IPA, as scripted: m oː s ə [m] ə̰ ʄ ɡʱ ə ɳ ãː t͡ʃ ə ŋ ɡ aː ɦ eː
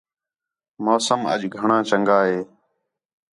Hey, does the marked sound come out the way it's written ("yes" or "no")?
yes